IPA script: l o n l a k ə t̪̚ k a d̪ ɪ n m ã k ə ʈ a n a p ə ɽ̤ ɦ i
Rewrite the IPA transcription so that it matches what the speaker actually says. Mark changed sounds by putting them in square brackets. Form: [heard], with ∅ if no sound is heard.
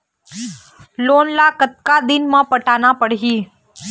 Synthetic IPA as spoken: l o n l a k ə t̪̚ k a d̪ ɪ n m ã [p] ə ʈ a n a p ə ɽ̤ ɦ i